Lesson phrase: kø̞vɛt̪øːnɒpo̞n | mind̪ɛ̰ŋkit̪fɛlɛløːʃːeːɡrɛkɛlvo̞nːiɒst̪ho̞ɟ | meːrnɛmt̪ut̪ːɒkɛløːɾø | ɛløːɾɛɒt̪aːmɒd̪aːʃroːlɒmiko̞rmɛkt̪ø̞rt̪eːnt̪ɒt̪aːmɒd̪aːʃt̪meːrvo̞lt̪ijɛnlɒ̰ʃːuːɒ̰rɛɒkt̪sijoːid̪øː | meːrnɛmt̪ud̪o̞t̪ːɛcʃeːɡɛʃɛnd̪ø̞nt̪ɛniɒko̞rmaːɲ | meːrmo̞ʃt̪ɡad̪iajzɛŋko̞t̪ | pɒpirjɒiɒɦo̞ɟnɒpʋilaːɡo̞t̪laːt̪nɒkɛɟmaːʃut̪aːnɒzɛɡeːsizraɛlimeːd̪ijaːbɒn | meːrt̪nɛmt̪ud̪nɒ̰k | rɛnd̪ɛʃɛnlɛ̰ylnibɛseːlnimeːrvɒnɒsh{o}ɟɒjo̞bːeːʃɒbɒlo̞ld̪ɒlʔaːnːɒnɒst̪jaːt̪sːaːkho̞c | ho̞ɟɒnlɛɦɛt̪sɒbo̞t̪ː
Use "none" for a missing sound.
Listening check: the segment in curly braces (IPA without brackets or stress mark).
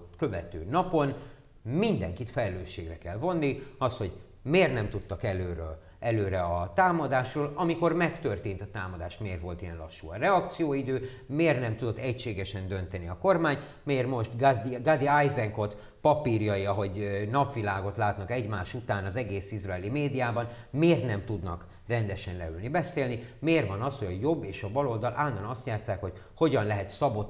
o